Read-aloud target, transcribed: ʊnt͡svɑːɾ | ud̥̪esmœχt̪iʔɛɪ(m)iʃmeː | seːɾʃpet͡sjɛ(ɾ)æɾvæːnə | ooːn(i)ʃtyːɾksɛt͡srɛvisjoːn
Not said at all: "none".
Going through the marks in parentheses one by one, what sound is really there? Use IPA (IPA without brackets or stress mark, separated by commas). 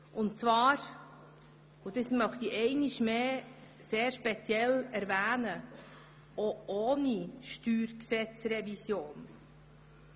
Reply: n, l, i